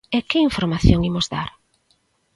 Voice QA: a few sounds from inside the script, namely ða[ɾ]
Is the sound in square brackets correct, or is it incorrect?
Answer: correct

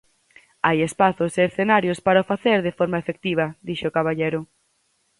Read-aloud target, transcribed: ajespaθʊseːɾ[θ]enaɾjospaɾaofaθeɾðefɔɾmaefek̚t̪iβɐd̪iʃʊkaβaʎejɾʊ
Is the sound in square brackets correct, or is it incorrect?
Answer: correct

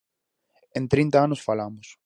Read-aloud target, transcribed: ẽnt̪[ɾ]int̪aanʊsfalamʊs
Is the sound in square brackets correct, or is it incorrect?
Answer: correct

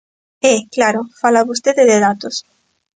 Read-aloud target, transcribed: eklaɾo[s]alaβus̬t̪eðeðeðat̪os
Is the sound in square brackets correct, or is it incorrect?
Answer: incorrect: f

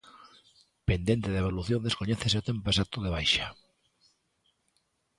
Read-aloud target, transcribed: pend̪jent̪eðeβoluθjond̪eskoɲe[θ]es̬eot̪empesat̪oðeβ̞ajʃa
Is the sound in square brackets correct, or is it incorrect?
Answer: correct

